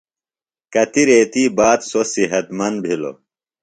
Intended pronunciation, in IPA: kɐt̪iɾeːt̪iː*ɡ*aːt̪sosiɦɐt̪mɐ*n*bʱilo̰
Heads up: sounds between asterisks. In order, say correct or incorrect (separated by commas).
incorrect, correct